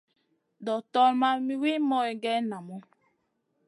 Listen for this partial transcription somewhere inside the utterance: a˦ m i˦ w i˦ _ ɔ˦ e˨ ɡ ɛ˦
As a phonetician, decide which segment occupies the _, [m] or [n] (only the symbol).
m